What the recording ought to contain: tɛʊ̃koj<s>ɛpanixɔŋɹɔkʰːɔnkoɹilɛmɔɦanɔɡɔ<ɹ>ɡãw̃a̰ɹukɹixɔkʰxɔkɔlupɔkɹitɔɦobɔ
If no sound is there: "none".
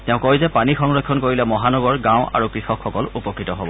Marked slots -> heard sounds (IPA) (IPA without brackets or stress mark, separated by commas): z, ɹ